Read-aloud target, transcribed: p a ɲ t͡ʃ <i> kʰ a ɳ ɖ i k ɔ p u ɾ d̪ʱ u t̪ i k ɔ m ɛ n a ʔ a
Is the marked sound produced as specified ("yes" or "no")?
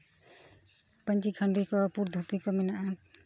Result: yes